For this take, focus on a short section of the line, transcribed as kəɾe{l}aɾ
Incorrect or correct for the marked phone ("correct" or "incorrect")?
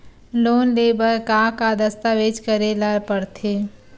correct